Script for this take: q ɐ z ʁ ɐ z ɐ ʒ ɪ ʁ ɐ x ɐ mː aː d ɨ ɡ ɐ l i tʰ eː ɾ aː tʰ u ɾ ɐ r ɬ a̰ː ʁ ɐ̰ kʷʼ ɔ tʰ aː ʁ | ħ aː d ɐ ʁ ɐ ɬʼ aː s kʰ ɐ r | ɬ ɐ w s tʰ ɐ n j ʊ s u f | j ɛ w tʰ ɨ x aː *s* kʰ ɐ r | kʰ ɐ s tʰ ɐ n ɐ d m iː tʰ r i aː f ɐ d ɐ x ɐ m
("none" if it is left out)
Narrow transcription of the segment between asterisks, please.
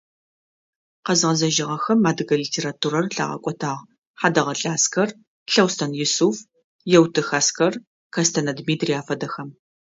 s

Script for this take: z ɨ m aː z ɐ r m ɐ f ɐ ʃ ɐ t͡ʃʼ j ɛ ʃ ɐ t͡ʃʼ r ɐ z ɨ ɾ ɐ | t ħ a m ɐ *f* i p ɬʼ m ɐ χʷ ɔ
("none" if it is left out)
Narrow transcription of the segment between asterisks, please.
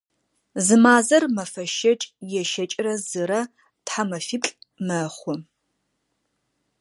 f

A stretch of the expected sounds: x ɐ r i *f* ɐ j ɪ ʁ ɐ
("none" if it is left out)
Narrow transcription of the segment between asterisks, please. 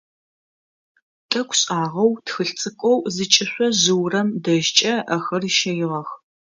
ʃ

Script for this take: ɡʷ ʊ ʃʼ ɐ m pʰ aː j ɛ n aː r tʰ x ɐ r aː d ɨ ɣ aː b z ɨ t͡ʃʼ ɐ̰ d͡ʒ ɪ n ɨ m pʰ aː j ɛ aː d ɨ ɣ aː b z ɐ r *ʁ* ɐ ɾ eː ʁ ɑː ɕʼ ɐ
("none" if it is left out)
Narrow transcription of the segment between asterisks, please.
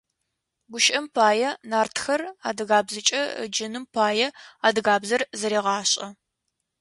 z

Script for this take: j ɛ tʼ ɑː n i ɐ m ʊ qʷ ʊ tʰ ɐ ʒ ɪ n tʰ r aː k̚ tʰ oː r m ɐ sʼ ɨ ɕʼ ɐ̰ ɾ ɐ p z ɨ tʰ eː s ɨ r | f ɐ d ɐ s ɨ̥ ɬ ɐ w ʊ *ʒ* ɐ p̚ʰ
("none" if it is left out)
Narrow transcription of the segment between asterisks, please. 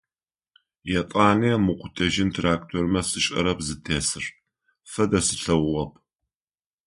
ʁ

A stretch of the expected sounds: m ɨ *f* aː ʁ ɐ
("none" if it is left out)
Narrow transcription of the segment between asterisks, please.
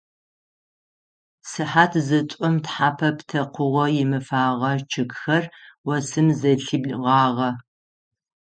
f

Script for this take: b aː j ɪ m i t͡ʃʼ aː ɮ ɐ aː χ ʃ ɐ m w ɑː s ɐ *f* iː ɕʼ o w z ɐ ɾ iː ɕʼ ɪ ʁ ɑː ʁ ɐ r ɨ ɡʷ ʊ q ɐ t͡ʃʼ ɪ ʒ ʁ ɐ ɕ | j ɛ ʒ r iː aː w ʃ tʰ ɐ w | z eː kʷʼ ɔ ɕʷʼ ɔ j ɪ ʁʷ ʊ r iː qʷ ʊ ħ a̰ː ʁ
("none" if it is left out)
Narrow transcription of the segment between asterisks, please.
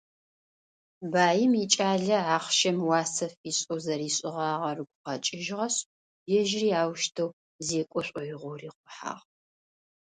f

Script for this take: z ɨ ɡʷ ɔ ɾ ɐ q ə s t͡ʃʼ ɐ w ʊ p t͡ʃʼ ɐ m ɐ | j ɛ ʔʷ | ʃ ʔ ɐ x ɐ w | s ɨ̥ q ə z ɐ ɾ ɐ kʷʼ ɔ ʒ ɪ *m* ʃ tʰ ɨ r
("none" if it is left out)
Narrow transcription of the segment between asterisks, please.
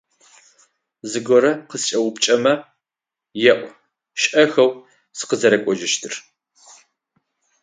none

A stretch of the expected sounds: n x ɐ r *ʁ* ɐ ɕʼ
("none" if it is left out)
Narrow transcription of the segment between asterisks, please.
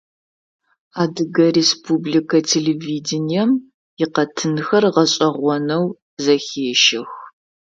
ʁ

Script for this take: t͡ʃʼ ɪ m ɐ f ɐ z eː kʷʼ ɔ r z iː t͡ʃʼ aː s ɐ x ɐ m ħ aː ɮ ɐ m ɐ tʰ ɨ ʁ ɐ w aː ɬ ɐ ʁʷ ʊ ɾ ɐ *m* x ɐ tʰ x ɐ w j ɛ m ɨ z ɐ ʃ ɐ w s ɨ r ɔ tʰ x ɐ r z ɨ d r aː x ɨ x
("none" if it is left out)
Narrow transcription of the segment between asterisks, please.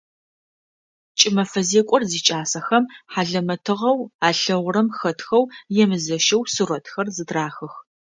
m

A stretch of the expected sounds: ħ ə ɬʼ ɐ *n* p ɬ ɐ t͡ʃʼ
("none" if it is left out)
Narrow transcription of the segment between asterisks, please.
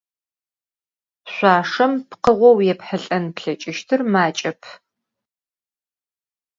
n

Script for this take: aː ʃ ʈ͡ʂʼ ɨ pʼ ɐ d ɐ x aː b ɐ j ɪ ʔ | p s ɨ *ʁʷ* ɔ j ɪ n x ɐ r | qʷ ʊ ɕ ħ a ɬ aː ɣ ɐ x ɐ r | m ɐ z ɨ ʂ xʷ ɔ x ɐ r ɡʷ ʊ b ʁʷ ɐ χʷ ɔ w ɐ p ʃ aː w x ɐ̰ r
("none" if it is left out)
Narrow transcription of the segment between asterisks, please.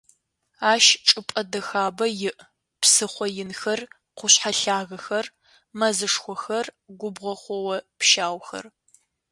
χʷ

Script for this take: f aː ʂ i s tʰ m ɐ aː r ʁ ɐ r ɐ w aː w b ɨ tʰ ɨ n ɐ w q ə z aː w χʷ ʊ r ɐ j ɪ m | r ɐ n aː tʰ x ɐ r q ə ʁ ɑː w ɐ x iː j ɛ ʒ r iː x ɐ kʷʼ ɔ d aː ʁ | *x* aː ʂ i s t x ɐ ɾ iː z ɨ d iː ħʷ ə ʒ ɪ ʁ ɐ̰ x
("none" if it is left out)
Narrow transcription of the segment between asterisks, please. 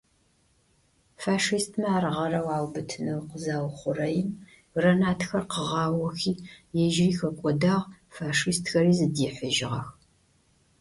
f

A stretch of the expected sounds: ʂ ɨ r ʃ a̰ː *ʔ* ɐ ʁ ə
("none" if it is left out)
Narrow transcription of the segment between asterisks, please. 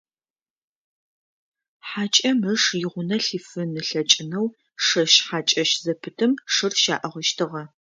ʔ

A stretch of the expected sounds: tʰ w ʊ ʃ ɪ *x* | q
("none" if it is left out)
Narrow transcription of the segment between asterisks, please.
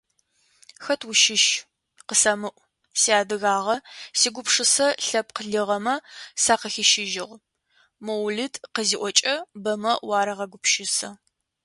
ʃ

